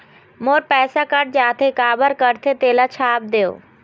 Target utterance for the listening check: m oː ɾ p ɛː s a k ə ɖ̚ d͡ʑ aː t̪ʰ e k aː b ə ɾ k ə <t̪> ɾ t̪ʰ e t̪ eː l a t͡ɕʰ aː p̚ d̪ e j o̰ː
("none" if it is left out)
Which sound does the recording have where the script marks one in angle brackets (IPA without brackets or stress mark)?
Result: none